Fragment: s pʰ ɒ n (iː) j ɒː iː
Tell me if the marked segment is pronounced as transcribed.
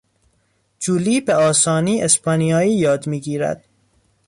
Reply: no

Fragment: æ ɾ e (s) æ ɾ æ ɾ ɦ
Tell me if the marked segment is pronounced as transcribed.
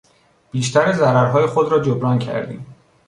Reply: no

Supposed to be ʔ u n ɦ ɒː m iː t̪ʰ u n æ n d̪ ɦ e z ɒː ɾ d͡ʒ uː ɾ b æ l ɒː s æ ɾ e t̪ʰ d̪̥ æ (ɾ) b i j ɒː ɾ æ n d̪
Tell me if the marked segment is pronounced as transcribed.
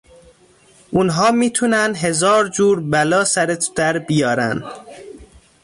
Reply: yes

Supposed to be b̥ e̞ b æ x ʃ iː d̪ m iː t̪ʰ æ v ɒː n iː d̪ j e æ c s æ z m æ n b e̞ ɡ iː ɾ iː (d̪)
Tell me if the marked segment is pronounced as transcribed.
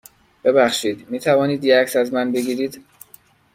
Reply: yes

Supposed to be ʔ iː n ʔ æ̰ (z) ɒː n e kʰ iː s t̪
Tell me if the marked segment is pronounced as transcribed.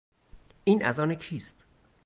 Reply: yes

